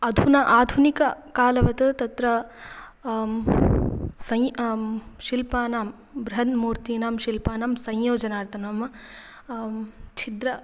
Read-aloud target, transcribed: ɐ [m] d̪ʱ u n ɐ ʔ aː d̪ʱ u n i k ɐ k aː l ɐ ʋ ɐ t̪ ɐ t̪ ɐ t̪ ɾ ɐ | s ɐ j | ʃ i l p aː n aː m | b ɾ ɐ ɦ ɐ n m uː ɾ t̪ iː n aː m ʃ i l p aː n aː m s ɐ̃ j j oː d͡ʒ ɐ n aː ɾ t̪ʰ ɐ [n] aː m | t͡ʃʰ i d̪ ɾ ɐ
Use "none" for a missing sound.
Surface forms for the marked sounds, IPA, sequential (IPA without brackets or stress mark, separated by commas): none, n